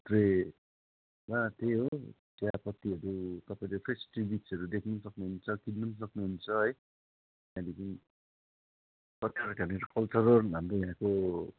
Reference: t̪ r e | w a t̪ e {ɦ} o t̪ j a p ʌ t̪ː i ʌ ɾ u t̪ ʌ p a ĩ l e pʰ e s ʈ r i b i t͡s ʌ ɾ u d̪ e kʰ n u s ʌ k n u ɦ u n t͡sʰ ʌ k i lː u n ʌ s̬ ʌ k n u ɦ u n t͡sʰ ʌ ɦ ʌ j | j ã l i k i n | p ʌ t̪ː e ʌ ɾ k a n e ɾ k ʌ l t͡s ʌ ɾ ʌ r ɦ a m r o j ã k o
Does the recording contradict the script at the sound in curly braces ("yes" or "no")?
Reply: no